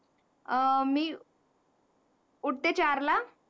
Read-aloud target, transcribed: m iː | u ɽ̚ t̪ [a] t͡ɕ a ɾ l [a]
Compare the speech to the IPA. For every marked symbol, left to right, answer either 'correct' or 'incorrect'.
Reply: incorrect: e, correct

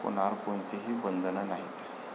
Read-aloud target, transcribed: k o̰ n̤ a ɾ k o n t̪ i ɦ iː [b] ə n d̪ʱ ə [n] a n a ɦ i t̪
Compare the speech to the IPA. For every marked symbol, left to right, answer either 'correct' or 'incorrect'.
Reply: correct, correct

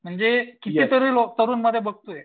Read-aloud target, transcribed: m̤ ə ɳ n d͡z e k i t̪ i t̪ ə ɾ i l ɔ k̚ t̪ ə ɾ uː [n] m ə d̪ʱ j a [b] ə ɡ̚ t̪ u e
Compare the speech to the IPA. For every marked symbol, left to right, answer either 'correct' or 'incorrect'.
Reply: correct, correct

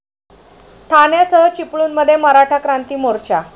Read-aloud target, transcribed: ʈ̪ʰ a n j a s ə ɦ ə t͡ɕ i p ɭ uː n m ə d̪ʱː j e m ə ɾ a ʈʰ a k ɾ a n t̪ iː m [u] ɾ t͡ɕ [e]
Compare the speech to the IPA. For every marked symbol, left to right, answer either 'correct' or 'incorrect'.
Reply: incorrect: o, incorrect: a

